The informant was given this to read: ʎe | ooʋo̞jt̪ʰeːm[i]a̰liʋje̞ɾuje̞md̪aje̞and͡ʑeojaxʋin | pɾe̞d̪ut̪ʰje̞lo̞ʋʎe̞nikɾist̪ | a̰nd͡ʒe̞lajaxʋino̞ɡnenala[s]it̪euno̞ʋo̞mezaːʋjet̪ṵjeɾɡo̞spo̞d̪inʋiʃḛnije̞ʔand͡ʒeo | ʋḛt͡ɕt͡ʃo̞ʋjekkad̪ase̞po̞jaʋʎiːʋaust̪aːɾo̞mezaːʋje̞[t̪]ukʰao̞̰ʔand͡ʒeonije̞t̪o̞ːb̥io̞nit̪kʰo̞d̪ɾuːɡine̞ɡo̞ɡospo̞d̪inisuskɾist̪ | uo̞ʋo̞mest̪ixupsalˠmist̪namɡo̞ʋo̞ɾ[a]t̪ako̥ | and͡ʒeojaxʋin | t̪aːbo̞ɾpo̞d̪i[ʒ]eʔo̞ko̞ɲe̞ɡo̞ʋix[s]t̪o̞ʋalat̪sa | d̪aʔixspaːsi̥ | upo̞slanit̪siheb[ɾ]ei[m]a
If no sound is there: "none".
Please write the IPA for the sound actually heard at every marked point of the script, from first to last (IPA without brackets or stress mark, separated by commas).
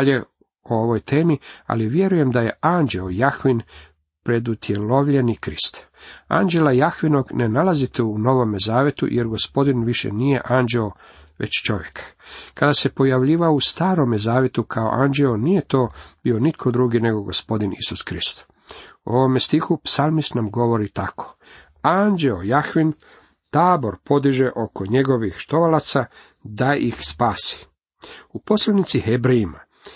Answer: i, z, t̪, i, ʒ, ʃ, ɾ, m